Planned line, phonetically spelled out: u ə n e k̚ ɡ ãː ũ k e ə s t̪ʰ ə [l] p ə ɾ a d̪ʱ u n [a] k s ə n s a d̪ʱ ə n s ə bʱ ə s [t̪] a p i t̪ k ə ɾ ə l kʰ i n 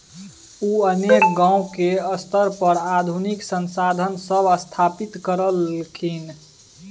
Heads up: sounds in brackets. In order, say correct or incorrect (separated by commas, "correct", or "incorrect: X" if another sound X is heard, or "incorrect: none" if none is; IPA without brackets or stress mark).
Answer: incorrect: ɾ, incorrect: i, incorrect: t̪ʰ